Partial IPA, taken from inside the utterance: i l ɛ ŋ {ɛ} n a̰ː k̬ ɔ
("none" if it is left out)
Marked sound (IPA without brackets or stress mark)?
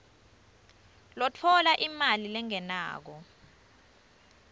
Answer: ɛ